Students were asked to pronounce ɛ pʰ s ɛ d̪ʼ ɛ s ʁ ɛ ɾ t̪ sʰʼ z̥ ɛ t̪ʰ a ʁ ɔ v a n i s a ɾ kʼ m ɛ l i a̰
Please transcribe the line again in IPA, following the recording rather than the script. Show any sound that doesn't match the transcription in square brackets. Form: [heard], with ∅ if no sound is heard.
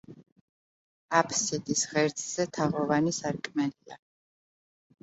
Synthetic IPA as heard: [a] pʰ s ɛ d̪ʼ [i] s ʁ ɛ ɾ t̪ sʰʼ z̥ ɛ t̪ʰ a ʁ ɔ v a n i s a ɾ kʼ m ɛ l i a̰